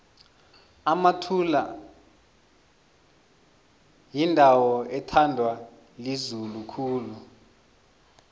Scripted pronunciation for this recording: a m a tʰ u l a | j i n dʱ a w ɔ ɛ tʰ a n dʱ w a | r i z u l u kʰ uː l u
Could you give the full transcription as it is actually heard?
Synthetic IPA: a m a tʰ u l a | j i n dʱ a w ɔ ɛ tʰ a n dʱ w a | l i z u l u kʰ uː l u